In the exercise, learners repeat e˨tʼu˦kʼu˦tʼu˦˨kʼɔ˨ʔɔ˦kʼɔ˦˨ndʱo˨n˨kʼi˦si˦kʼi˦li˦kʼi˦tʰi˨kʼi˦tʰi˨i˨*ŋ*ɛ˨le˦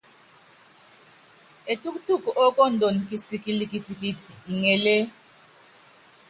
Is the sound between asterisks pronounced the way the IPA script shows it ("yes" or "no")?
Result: yes